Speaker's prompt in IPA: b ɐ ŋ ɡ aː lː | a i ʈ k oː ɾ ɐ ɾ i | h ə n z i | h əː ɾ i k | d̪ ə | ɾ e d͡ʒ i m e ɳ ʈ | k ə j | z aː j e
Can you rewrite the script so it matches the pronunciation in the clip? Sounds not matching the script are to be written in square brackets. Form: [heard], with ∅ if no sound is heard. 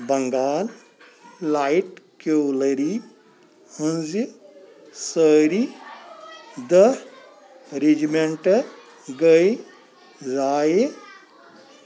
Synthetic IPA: b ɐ ŋ ɡ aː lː | a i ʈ k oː [l] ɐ ɾ i | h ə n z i | [s] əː ɾ i [∅] | d̪ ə | ɾ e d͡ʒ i m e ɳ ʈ | [ɡ] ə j | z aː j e